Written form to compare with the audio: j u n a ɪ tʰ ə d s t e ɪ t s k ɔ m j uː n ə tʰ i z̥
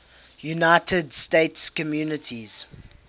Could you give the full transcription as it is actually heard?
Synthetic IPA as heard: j u n a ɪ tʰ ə d s t e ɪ t s k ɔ m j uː n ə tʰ i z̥